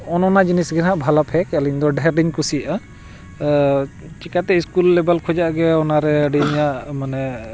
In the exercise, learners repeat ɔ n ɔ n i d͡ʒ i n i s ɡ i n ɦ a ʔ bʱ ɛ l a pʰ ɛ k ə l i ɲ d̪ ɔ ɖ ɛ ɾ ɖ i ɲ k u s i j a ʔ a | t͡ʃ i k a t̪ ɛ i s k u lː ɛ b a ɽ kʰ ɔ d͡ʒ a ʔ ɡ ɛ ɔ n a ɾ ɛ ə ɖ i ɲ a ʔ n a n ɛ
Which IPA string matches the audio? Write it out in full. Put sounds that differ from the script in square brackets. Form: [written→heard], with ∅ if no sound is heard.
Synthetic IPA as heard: ɔ n ɔ n [i→a] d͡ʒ i n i s ɡ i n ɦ a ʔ bʱ [ɛ→a] l a pʰ ɛ k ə l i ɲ d̪ ɔ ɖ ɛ ɾ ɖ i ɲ k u s i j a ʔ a | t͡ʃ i k a t̪ ɛ i s k u lː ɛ b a [ɽ→l] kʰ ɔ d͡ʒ a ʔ ɡ ɛ ɔ n a ɾ ɛ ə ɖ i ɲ a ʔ [n→m] a n ɛ